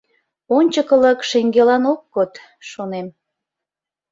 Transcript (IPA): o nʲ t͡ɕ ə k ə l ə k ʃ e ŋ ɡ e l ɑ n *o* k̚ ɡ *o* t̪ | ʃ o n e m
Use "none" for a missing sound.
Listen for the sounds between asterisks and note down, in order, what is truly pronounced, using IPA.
o, o

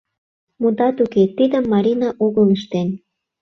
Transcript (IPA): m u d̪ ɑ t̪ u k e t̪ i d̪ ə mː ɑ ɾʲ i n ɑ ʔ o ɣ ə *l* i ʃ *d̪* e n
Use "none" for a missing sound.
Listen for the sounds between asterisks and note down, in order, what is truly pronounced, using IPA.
l, t̪

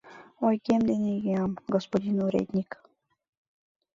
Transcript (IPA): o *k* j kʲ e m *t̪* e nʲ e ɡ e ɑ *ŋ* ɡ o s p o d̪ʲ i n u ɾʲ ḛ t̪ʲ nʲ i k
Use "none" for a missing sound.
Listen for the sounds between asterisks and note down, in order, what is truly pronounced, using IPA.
none, d̪, m

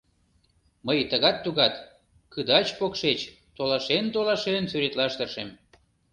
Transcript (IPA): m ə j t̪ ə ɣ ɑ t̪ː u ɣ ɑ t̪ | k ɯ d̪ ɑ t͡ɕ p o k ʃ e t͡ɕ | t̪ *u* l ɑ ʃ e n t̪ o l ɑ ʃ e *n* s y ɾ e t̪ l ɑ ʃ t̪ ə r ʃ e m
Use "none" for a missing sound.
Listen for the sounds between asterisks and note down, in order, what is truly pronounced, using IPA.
o, n

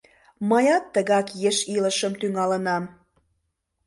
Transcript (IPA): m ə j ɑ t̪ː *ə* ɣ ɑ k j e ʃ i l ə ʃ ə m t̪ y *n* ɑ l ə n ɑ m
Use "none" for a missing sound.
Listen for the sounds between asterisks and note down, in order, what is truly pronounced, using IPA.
ə, ŋ

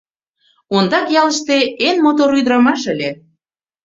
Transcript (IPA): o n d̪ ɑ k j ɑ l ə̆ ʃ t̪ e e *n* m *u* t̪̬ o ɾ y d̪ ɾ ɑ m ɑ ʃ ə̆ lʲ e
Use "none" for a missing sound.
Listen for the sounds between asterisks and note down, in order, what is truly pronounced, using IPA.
n, o

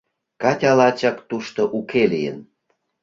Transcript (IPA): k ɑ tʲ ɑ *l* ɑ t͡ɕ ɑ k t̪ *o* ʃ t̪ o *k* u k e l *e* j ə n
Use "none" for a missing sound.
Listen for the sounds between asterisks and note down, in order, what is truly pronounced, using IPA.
l, u, ʔ, i

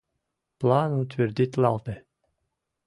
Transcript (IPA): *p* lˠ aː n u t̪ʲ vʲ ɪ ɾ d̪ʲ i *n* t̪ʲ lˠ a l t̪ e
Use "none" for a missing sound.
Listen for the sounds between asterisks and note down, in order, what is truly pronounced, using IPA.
p, none

